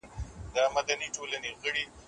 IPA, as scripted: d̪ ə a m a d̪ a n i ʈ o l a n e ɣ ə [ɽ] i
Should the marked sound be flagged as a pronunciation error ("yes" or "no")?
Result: no